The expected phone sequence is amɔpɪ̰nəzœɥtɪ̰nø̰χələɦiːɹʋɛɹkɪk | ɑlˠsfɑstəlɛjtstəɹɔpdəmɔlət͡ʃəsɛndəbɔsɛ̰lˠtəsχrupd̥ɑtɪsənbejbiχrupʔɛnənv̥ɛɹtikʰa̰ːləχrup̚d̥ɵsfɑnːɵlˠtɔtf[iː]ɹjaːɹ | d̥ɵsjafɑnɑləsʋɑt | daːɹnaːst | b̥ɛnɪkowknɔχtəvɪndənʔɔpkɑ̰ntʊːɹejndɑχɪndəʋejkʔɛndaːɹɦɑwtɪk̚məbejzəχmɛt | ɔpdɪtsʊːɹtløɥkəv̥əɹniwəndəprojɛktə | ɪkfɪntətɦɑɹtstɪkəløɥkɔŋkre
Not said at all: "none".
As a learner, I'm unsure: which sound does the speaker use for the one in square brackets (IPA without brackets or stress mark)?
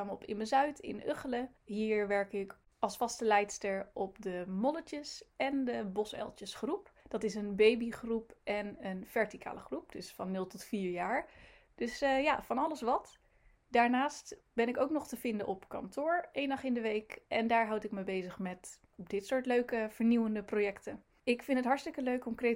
iː